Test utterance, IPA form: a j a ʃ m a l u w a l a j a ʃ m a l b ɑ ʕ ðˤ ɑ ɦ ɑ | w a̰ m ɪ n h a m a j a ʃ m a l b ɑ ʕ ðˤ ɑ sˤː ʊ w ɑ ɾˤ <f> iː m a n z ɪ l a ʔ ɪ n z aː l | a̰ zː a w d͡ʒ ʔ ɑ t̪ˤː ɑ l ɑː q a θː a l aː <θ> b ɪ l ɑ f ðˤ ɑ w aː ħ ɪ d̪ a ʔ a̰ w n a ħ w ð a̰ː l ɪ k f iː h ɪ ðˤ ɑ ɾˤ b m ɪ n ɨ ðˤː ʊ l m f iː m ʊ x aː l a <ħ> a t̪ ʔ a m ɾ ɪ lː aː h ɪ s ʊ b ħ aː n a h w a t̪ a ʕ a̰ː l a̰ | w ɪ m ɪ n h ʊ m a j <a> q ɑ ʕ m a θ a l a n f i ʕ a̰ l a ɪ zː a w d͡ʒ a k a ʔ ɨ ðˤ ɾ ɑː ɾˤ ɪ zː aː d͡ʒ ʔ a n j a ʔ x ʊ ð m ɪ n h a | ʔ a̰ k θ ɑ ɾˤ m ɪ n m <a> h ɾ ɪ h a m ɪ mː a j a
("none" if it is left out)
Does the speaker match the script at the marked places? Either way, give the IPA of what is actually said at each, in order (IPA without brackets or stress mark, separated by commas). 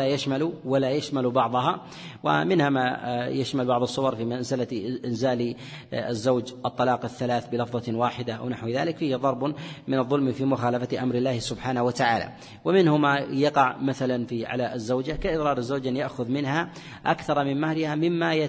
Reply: f, θ, f, ɑ, a